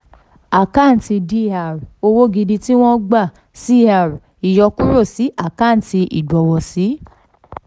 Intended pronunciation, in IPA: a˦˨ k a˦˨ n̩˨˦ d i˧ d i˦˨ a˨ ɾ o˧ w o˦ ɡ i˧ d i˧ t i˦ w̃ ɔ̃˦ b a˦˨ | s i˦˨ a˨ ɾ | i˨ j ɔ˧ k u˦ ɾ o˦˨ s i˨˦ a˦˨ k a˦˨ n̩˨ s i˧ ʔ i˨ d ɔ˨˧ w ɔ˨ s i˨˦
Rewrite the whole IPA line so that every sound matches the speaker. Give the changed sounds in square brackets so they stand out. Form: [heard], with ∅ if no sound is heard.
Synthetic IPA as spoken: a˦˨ k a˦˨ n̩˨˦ [t] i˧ d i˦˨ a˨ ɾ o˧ w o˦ ɡ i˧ d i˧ t i˦ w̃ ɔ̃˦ [ɡ͡b] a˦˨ | s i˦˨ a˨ ɾ | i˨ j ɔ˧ k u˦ ɾ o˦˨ s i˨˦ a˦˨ k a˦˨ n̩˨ [t] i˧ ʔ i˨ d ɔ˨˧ w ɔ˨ s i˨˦